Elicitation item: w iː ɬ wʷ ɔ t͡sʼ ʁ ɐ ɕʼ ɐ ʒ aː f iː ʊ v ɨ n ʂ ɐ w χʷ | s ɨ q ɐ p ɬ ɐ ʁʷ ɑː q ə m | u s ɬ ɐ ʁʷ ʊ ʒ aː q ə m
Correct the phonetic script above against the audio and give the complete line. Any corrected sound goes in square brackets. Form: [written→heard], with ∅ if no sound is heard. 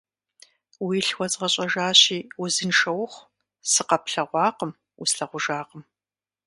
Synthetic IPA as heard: w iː ɬ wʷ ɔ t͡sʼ ʁ ɐ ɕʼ ɐ ʒ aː [f→ɕ] iː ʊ [v→z] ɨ n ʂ ɐ w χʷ | s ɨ q ɐ p ɬ ɐ ʁʷ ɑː q ə m | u s ɬ ɐ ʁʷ ʊ ʒ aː q ə m